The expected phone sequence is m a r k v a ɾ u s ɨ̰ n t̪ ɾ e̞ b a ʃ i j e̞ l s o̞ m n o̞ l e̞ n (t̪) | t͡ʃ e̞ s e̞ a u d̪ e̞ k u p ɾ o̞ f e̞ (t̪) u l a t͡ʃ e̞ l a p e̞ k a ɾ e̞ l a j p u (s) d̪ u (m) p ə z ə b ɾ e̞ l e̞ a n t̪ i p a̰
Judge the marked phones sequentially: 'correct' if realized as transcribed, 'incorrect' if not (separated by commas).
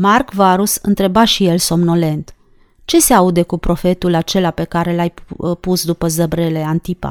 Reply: correct, correct, correct, incorrect